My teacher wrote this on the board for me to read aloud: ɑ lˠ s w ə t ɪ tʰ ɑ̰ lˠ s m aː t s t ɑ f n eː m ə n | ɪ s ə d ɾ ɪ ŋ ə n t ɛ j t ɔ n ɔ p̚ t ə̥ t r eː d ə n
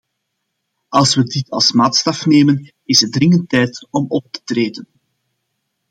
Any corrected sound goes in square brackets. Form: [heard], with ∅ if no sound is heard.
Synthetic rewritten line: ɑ lˠ s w ə [d] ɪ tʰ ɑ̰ lˠ s m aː t s t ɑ f n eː m ə n | ɪ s ə d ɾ ɪ ŋ ə n t ɛ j t ɔ [m] ɔ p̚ t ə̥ t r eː d ə n